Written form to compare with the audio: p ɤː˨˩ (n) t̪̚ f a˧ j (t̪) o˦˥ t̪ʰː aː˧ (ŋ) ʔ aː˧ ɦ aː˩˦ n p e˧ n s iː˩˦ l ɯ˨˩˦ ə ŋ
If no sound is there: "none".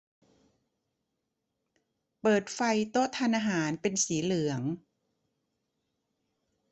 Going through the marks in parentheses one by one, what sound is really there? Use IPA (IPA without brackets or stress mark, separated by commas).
none, t̪, n